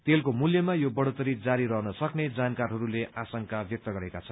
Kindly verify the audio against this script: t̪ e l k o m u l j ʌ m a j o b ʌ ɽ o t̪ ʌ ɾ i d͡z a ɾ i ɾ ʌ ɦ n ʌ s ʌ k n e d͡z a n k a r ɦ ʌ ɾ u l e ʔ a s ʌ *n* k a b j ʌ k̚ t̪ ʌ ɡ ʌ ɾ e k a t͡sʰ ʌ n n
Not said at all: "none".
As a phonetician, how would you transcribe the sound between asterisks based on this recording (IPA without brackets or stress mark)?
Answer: ŋ